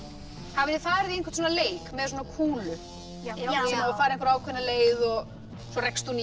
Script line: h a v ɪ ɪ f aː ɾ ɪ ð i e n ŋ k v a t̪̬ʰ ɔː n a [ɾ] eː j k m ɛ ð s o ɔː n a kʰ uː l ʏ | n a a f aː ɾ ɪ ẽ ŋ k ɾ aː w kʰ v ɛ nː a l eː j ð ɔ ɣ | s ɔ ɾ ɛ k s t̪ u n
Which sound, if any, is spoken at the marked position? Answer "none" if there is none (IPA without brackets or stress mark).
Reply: l